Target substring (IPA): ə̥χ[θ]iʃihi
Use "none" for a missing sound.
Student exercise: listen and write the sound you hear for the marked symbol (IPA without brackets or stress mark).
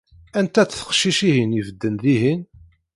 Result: ʃ